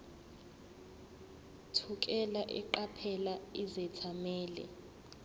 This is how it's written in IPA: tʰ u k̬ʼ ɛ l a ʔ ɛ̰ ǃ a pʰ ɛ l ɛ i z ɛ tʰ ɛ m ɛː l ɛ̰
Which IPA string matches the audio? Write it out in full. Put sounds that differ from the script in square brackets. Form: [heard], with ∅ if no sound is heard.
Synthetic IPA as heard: tʰ u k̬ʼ ɛ l a ʔ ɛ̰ ǃ a pʰ ɛ l [a] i z ɛ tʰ [a] m ɛː l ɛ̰